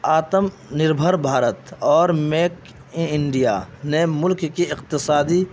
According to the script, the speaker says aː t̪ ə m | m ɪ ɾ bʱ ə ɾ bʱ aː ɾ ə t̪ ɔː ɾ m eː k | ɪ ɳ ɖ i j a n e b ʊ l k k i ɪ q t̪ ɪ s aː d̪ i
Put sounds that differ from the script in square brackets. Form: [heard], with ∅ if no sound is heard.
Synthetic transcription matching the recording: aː t̪ ə m | [n] ɪ ɾ bʱ ə ɾ bʱ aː ɾ ə t̪ ɔː ɾ m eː k | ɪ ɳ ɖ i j a n e [m] ʊ l k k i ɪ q t̪ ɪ s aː d̪ i